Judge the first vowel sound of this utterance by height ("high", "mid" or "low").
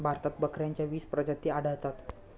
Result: low